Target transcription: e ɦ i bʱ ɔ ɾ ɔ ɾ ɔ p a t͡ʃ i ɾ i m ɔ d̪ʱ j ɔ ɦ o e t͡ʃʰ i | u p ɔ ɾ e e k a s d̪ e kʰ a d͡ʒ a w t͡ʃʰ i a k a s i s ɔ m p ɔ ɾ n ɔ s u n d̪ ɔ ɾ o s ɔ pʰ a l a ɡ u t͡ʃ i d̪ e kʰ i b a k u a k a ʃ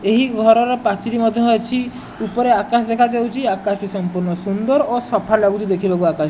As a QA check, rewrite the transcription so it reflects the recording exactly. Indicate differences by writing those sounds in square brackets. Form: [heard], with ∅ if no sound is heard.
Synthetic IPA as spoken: e ɦ i [ɡʱ] ɔ ɾ ɔ ɾ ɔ p a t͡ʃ i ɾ i m ɔ d̪ʱ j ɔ ɦ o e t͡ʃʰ i | u p ɔ ɾ e [a] k a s d̪ e kʰ a d͡ʒ a w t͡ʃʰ i a k a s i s ɔ m p [u] ɾ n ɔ s u n d̪ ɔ ɾ o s ɔ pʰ a l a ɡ u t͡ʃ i d̪ e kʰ i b a k u a k a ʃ